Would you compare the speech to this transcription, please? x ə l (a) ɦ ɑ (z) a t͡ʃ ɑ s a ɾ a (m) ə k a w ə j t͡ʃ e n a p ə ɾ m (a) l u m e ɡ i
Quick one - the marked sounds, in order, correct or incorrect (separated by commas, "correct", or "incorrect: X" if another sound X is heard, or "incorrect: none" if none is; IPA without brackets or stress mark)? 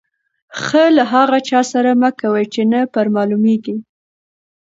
correct, incorrect: ɣ, correct, incorrect: ɑ